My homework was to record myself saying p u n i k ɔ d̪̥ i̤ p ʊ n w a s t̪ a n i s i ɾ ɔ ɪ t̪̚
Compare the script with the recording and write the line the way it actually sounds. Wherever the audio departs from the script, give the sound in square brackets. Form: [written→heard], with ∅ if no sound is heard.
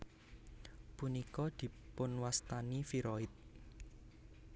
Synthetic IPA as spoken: p u n i k ɔ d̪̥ i̤ p ʊ n w a s t̪ a n i [s→f] i ɾ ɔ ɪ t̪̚